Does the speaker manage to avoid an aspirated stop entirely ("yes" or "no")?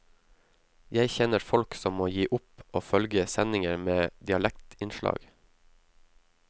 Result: yes